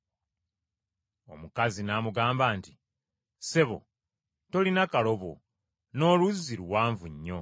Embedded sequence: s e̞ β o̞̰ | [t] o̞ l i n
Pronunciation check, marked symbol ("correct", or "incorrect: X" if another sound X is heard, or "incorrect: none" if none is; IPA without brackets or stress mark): correct